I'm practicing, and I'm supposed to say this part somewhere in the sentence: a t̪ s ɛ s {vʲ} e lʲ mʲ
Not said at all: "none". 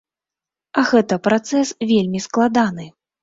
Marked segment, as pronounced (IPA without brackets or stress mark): vʲ